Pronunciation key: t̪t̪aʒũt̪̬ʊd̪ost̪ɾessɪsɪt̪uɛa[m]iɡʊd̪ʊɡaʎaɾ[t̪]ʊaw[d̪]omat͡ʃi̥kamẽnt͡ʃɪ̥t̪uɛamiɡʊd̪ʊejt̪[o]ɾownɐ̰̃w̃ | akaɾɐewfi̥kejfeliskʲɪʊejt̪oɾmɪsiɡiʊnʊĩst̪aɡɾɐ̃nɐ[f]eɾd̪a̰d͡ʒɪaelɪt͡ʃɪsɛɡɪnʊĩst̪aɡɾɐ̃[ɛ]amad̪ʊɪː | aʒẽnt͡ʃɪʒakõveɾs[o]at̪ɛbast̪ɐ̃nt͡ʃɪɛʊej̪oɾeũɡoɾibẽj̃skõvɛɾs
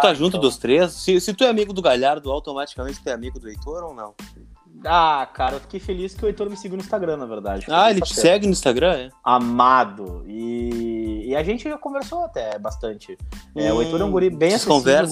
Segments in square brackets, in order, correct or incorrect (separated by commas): correct, incorrect, incorrect, correct, incorrect, correct, correct